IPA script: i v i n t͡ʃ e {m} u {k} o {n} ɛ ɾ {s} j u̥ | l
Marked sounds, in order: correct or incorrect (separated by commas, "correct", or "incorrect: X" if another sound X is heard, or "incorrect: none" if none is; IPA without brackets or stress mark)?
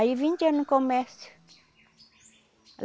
incorrect: n, correct, incorrect: m, correct